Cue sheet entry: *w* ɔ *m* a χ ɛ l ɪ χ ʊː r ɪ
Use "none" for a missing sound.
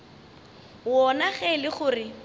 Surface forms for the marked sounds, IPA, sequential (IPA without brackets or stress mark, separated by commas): w, n